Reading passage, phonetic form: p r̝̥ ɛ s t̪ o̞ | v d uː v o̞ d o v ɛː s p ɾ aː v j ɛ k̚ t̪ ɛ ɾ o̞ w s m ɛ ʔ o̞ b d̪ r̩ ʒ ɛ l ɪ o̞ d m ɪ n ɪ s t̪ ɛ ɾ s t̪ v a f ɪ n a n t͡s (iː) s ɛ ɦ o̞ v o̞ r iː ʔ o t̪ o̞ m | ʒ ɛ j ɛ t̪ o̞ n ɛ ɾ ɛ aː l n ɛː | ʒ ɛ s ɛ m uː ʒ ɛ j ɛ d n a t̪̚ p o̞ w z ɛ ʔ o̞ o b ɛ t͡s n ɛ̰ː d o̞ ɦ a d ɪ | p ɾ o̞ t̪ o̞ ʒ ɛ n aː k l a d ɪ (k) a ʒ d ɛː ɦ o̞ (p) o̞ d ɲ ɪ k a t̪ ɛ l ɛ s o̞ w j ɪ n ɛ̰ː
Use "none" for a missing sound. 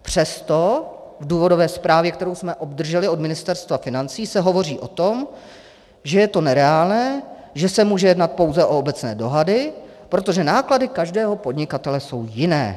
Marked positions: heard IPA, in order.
iː, k, p

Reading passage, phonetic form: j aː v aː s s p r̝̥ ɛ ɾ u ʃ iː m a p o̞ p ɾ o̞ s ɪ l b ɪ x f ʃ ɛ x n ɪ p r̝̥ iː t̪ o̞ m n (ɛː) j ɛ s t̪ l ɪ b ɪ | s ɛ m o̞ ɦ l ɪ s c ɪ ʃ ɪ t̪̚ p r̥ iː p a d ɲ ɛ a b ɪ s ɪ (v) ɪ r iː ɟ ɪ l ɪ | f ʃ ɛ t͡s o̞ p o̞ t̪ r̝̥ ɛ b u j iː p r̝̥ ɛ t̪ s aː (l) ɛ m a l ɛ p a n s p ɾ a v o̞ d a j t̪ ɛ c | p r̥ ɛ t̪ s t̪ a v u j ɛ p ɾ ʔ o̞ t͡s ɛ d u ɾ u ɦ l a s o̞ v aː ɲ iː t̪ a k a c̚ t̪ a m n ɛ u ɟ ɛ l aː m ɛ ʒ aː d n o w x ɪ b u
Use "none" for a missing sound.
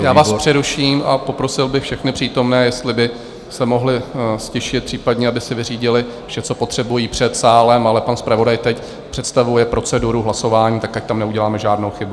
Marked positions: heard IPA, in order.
ɛː, v, l

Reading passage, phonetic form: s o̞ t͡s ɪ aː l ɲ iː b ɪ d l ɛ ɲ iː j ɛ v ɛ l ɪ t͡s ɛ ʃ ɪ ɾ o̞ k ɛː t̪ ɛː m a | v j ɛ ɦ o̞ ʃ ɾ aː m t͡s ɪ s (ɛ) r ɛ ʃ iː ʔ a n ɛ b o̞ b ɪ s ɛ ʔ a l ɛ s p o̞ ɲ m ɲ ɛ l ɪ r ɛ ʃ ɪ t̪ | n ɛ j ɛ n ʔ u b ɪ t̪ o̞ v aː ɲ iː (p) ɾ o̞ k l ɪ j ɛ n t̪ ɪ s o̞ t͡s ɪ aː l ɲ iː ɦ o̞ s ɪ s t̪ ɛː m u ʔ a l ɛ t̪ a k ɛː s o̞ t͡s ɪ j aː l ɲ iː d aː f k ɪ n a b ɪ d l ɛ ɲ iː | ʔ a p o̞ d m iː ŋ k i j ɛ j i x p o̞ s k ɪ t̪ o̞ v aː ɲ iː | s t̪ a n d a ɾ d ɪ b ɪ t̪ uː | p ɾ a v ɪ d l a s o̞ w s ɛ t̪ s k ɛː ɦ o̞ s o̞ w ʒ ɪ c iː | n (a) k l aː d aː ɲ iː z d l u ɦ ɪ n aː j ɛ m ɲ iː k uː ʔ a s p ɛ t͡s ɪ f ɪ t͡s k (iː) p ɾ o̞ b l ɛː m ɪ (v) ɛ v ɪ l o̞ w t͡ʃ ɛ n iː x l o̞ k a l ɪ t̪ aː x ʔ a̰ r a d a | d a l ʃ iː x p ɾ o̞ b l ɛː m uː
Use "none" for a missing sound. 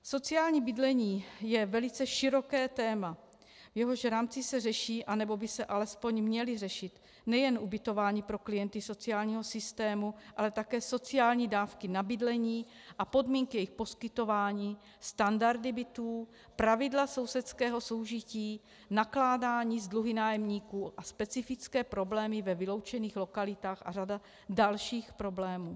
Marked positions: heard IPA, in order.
ɛ, p, a, ɛː, v

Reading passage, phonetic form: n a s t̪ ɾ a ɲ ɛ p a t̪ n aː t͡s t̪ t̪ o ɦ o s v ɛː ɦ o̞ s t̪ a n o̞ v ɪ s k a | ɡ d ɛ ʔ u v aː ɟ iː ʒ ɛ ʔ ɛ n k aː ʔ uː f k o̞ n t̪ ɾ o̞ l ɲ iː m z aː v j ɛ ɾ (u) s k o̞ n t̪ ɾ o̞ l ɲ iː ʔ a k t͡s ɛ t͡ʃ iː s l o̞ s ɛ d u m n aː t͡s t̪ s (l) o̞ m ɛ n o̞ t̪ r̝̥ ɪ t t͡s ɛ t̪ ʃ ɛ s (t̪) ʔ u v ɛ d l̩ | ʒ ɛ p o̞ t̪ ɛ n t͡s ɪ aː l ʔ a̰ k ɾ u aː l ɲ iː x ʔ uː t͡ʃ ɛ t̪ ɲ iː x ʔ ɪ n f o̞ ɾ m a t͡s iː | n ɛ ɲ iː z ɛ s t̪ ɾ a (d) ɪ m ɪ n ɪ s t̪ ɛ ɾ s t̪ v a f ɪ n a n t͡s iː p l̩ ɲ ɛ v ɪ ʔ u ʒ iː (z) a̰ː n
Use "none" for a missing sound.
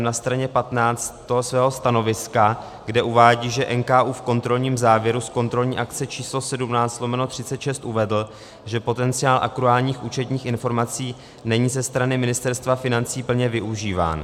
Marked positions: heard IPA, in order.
u, l, t̪, n, v

